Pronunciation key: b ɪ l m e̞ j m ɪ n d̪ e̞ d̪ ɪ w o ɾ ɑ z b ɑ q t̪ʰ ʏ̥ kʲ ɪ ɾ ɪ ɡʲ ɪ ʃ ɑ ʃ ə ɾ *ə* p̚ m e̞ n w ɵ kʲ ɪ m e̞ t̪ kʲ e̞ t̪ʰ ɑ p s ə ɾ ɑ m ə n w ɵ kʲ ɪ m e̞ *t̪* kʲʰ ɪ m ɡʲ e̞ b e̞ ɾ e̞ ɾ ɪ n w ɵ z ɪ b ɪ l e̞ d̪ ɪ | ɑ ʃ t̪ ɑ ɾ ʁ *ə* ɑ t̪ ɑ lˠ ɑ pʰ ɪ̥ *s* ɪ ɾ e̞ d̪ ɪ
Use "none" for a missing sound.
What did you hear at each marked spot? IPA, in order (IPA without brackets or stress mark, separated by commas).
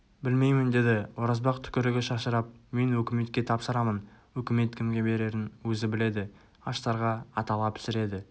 ɑ, t̪, ɑ, s